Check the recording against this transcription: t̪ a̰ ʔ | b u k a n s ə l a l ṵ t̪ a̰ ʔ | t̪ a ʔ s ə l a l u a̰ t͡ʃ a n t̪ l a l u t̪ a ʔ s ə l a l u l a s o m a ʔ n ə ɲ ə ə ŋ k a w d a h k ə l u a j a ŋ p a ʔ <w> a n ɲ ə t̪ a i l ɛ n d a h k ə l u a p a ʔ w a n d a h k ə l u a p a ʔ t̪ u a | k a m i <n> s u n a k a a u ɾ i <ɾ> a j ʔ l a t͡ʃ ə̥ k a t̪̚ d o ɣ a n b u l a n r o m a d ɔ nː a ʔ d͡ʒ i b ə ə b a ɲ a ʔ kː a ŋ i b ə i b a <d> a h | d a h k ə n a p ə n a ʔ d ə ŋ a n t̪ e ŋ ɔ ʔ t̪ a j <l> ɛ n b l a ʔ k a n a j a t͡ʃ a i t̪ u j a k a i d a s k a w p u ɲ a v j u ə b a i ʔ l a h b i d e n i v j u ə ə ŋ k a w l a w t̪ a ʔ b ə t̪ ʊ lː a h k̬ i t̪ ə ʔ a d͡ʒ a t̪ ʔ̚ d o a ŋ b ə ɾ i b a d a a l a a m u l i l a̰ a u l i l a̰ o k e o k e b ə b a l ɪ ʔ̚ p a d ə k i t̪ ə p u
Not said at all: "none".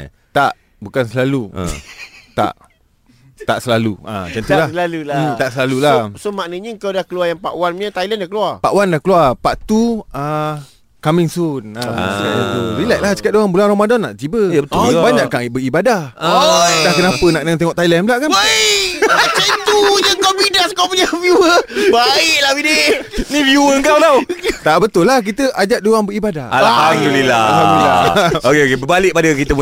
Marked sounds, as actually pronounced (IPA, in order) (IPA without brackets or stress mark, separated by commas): w, ŋ, l, d, l